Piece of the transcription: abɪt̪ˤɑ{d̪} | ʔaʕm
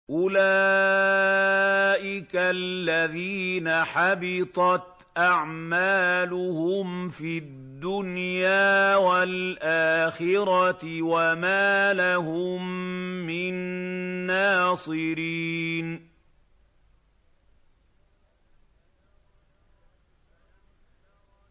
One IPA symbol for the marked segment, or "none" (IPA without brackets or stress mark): t̪